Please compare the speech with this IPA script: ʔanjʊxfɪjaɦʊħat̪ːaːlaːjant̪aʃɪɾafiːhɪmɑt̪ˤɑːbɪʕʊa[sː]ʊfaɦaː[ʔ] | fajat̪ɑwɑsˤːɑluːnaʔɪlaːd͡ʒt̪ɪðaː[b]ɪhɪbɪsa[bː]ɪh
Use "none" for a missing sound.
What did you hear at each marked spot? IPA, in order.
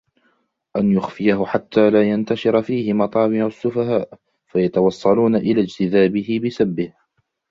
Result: sː, ʔ, b, bː

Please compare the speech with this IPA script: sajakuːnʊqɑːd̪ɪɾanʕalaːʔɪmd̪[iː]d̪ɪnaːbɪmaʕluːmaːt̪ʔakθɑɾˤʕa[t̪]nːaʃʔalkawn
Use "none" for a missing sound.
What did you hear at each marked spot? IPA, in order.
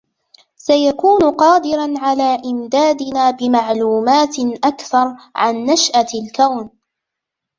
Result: aː, none

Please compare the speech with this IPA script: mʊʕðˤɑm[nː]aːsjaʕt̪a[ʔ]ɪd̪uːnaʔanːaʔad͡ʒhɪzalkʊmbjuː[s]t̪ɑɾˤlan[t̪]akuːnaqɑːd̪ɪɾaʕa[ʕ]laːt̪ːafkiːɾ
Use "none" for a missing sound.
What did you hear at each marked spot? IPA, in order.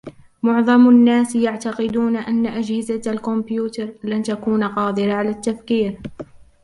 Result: nː, q, none, t̪, none

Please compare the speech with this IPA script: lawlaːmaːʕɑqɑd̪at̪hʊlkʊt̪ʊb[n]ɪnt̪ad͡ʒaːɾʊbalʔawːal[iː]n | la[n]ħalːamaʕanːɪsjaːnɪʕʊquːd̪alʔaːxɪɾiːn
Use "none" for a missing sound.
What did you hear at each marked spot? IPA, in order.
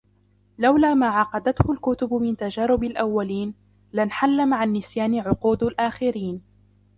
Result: m, iː, n

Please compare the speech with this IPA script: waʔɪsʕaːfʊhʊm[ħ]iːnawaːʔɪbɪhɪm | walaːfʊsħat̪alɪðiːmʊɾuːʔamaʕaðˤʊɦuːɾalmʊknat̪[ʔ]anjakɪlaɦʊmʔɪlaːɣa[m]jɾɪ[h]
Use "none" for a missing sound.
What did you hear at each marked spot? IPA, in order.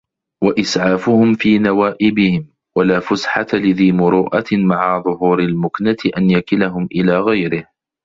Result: f, ʔ, none, h

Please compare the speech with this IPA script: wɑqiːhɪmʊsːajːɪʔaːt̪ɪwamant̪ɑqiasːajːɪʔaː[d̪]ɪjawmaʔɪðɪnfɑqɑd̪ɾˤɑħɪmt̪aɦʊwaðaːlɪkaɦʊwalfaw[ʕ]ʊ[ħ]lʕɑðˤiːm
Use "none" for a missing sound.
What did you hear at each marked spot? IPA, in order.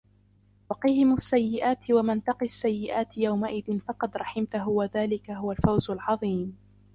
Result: t̪, z, none

